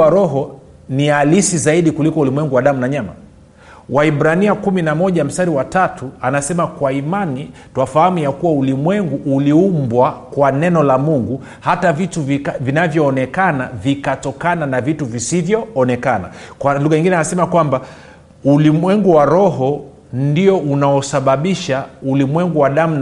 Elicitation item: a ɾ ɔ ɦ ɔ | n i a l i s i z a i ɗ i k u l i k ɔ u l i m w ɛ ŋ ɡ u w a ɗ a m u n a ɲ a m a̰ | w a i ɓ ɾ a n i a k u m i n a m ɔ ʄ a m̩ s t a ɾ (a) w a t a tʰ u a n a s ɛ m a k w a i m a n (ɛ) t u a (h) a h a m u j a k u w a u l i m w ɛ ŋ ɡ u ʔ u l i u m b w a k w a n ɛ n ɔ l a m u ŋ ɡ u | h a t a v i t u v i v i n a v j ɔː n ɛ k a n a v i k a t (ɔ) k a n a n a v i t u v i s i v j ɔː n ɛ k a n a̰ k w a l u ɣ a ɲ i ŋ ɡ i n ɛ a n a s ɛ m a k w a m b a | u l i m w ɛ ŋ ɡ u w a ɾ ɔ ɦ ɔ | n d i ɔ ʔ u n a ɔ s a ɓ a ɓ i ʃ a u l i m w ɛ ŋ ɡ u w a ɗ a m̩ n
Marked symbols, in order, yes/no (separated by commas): no, no, no, yes